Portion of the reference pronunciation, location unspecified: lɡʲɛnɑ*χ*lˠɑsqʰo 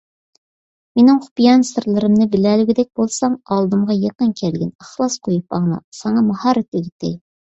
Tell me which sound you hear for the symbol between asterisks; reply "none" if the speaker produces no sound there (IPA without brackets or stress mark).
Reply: χ